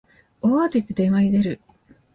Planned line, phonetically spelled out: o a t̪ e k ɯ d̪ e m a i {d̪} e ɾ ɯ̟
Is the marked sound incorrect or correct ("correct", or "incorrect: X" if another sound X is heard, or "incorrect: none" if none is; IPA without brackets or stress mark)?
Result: correct